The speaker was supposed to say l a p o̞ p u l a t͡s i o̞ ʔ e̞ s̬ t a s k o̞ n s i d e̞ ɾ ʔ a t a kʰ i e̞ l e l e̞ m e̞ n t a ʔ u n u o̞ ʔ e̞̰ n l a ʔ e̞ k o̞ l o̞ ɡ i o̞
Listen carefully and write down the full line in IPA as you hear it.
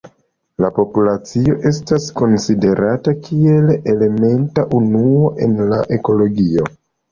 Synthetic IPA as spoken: l a p o̞ p u l a t͡s i o̞ ʔ e̞ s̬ t a s k o̞ n s i d e̞ ɾ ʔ a t a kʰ i e̞ l e l e̞ m e̞ n t a ʔ u n u o̞ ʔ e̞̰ n l a ʔ e̞ k o̞ l o̞ ɡ i o̞